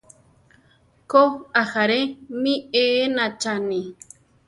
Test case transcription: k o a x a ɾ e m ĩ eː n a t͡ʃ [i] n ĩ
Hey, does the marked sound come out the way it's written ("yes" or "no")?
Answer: no